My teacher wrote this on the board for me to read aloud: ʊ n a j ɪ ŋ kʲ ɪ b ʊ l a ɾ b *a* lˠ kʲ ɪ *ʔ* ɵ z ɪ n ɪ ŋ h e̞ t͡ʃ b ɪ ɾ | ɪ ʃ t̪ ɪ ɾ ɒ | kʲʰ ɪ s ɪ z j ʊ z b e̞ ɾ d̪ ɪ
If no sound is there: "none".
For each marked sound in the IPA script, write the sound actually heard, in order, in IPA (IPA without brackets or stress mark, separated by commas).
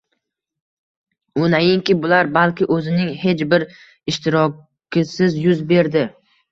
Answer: a, ʔ